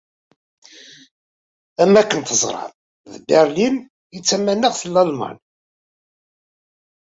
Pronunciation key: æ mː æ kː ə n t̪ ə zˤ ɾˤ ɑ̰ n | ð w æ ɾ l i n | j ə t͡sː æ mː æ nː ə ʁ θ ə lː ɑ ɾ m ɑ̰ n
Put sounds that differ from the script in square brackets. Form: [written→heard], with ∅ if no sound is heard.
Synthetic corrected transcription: æ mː æ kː ə n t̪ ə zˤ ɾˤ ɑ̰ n | ð [w→b] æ ɾ l i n | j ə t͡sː æ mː æ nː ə ʁ θ ə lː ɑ [ɾ→l] m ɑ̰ n